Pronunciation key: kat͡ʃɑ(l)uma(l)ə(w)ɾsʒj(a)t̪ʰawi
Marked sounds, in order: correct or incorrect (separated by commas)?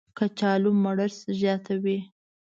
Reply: correct, incorrect, incorrect, incorrect